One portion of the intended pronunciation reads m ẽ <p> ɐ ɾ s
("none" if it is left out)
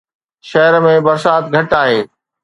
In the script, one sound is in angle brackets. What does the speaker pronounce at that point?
b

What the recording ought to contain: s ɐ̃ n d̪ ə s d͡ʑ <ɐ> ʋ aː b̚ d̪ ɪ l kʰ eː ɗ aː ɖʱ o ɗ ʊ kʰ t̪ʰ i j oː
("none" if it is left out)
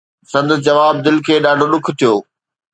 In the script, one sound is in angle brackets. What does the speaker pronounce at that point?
ɐ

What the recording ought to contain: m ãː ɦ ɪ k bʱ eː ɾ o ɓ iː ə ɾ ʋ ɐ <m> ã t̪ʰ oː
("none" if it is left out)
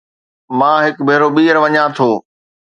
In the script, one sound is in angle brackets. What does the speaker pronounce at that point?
ɲ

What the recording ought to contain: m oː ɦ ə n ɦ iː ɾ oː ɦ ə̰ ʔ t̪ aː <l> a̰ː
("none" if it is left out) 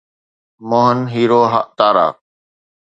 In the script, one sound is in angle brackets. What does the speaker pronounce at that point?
ɾ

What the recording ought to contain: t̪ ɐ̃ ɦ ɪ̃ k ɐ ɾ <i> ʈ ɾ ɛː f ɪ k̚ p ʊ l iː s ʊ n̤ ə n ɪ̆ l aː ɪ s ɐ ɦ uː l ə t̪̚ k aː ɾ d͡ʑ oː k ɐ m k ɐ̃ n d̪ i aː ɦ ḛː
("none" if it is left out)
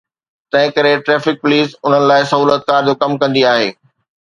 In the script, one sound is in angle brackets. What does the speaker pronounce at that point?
e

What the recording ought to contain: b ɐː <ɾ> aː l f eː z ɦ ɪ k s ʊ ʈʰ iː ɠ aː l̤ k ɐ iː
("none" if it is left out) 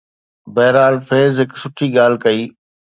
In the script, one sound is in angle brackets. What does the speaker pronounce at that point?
ɾ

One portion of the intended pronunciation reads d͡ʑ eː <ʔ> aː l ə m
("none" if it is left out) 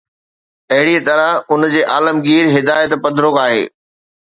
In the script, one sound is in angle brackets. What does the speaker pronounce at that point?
ʔ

